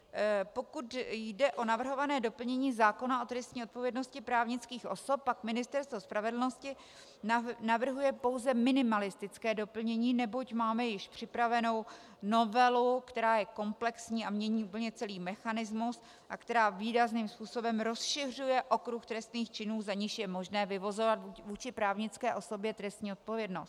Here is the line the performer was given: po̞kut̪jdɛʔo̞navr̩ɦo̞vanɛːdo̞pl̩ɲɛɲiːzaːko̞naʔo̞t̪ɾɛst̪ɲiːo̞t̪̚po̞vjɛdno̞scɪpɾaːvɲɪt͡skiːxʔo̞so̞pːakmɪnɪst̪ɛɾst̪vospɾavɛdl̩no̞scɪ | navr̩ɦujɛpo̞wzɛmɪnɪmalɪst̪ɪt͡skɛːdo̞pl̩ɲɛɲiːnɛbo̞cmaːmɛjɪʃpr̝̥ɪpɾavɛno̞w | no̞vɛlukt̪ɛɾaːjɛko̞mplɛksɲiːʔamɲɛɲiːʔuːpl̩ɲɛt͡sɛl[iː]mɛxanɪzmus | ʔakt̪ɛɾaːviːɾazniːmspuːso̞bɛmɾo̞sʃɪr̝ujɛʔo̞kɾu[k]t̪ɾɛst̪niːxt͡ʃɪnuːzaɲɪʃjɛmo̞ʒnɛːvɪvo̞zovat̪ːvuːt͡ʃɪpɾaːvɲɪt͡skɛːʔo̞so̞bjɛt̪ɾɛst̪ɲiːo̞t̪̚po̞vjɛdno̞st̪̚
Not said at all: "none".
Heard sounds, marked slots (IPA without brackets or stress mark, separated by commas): iː, x